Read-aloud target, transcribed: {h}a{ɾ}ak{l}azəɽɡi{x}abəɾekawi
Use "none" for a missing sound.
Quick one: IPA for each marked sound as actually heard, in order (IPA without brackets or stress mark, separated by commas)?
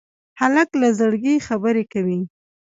h, l, l, x